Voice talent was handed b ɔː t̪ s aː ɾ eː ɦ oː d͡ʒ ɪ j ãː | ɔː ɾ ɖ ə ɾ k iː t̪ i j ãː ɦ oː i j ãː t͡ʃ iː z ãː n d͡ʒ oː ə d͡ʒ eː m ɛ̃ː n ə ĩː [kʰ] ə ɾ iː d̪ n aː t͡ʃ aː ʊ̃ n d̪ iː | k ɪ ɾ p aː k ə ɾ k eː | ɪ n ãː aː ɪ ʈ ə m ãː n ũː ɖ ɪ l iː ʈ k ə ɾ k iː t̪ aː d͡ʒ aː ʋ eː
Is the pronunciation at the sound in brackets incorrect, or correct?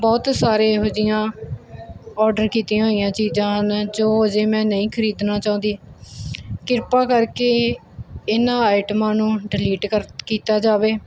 correct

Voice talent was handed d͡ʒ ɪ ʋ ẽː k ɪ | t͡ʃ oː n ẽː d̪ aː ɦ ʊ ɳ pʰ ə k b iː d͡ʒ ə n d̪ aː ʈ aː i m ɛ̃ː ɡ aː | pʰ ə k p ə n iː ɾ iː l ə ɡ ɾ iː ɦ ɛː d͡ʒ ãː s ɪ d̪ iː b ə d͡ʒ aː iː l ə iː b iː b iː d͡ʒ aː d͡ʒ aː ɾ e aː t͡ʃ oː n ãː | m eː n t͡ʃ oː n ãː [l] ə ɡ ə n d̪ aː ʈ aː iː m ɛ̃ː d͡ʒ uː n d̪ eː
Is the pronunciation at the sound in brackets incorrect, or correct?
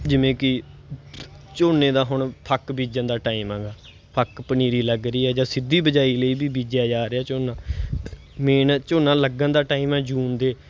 correct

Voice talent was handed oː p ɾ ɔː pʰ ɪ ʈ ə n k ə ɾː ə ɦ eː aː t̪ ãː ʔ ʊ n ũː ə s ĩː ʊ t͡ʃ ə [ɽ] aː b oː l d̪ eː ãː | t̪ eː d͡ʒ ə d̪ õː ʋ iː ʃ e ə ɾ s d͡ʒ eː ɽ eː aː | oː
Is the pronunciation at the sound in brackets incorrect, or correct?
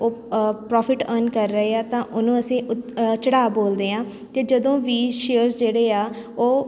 correct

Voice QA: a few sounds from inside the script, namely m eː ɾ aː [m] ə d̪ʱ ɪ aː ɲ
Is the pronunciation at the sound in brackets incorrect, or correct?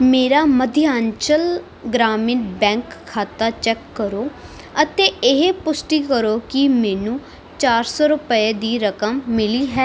correct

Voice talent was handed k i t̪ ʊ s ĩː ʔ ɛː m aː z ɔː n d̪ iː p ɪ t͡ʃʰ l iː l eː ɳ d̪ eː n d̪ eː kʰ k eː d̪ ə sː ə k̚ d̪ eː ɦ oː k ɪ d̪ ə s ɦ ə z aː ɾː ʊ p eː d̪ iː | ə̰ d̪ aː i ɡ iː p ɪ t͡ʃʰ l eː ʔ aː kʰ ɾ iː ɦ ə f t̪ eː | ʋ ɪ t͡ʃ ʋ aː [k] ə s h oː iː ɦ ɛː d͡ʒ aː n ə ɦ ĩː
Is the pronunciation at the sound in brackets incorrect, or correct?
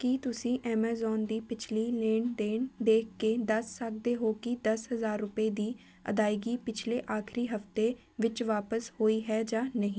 incorrect: p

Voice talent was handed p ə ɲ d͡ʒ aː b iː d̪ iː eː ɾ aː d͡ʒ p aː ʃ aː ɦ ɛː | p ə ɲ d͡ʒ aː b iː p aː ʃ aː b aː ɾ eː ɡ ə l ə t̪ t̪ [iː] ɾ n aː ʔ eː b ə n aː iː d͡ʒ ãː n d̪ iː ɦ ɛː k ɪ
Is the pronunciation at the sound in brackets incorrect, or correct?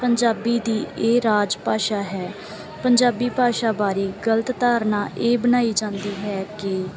incorrect: aː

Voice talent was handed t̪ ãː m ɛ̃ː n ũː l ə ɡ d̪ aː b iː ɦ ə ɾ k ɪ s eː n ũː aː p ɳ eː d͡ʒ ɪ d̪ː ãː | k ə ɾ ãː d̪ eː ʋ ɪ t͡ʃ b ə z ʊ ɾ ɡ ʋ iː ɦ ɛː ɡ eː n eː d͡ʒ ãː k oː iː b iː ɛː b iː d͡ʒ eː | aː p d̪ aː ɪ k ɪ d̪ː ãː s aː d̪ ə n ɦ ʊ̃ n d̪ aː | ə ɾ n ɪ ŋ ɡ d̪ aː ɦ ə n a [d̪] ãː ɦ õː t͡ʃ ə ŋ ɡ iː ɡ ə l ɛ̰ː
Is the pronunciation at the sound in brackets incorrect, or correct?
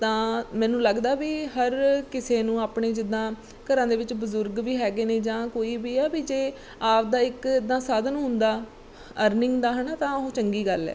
incorrect: t̪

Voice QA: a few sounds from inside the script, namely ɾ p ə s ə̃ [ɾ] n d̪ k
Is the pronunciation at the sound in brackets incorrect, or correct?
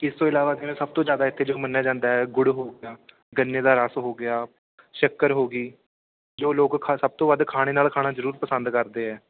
incorrect: none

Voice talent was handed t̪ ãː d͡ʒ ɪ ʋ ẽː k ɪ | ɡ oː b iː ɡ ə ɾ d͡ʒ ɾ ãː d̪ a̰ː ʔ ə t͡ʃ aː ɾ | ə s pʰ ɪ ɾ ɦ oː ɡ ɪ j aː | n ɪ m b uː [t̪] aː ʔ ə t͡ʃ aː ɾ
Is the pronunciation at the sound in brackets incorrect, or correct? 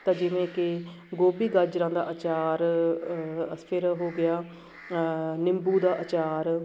incorrect: d̪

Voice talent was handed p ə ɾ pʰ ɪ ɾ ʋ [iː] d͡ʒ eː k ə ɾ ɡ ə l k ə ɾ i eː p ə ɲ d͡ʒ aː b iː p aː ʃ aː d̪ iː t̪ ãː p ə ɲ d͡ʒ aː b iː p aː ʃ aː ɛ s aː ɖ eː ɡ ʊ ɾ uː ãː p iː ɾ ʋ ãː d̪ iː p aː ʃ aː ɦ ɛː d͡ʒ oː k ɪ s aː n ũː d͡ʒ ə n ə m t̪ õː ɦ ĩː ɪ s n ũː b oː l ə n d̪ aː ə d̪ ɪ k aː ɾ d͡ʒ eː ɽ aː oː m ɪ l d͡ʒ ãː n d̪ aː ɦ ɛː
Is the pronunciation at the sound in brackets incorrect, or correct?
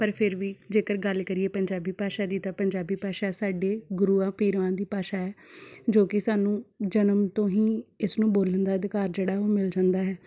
correct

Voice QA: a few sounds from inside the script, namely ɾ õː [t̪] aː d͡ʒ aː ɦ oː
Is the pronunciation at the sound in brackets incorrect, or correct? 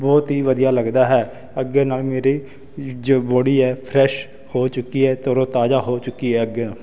correct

